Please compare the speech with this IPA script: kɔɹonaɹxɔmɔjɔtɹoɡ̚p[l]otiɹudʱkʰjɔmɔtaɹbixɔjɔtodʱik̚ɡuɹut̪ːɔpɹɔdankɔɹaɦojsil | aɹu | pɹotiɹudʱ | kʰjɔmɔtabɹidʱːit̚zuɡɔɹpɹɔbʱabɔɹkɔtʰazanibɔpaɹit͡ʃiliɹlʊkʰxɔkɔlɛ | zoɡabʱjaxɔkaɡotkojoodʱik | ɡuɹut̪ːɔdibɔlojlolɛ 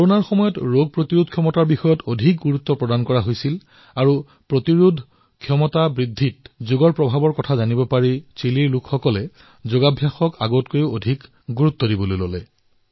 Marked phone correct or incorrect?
incorrect